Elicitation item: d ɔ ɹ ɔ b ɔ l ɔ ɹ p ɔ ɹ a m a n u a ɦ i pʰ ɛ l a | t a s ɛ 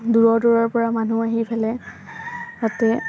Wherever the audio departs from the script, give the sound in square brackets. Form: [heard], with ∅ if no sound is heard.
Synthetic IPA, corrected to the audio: d [u] ɹ ɔ [d] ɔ [ɹ] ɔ ɹ p ɔ ɹ a m a n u a ɦ i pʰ ɛ l [ɛ] | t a [t] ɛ